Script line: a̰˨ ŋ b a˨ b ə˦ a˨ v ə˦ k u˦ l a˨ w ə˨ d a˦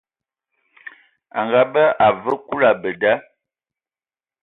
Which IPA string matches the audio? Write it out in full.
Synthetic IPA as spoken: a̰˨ ŋ ɡ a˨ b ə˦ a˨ v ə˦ k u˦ l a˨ b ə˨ d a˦